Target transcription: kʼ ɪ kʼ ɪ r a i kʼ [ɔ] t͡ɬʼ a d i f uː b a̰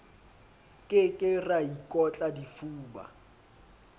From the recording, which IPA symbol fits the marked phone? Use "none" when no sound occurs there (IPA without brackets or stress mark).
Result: ɔ